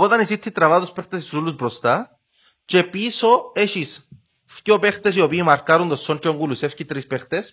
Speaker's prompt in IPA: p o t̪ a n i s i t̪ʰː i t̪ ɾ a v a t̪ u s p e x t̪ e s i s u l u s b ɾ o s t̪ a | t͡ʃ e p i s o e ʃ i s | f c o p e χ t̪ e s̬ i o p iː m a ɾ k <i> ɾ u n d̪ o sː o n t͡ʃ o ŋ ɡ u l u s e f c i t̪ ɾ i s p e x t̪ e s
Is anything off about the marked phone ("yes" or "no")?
yes